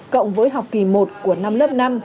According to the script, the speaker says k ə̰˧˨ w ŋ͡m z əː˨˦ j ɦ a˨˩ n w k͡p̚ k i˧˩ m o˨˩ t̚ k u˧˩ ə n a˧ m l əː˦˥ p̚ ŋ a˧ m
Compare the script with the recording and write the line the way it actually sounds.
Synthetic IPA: k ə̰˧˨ w ŋ͡m v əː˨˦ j ɦ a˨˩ w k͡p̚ k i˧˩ m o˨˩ t̚ k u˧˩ ə n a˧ m l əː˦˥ p̚ n a˧ m